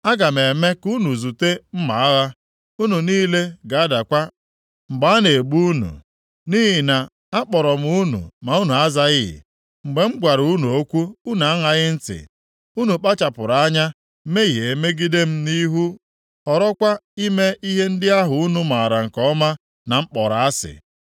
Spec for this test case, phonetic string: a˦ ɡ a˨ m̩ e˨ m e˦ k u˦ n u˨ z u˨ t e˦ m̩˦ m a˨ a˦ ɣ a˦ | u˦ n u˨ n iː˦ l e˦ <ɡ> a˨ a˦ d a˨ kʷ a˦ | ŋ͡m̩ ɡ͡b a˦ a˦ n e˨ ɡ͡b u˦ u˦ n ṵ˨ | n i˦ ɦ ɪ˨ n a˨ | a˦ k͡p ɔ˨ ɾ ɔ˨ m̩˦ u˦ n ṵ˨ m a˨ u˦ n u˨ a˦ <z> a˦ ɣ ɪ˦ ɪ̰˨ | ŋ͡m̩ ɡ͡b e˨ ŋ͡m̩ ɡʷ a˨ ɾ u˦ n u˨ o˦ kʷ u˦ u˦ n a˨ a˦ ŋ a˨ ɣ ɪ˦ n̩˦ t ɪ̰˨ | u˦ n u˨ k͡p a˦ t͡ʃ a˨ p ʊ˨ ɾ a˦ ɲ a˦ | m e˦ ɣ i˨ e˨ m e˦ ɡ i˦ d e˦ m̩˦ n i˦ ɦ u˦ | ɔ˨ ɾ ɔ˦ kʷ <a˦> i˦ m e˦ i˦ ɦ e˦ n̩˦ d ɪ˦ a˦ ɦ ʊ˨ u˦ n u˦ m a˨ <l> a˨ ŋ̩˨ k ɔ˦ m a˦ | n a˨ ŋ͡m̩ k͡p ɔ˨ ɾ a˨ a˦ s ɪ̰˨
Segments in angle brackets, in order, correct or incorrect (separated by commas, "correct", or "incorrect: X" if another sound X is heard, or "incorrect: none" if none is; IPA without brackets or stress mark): correct, correct, correct, incorrect: ɾ